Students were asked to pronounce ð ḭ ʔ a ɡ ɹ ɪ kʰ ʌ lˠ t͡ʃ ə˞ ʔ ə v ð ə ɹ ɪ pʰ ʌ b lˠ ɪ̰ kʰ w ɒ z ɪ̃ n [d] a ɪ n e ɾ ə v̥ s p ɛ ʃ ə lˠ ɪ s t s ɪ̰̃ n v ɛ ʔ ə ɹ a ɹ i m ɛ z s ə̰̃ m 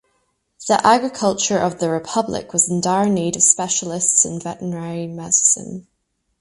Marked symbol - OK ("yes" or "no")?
yes